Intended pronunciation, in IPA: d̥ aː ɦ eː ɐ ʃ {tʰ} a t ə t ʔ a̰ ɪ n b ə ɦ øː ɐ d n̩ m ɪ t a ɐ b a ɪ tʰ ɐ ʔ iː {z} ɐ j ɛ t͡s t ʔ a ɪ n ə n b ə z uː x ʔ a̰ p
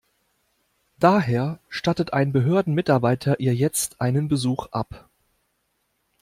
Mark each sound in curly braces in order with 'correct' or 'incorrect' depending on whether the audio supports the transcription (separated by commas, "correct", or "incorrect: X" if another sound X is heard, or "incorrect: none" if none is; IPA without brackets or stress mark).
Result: incorrect: t, incorrect: none